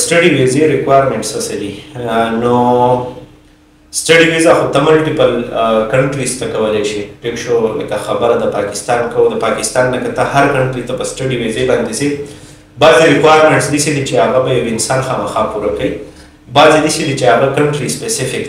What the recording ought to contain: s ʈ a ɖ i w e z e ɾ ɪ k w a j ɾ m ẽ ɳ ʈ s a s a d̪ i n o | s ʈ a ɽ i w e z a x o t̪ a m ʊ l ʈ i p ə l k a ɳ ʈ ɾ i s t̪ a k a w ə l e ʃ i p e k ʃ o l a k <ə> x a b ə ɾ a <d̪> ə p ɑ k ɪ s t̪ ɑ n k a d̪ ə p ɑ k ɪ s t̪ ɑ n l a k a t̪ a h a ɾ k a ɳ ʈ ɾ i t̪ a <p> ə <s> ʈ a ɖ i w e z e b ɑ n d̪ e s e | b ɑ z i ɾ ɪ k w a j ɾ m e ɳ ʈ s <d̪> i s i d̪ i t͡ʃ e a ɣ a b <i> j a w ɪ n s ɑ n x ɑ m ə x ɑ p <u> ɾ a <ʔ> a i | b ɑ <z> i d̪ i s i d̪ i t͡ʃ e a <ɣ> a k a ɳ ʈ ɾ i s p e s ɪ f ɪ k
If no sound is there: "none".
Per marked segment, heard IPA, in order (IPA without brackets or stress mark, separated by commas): a, d̪, p, s, d̪, a, u, k, z, ɣ